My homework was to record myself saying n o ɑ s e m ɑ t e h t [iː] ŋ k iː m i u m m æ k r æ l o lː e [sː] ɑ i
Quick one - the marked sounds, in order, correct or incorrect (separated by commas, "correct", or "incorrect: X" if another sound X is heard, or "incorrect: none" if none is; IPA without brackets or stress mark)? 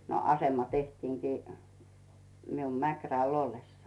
correct, correct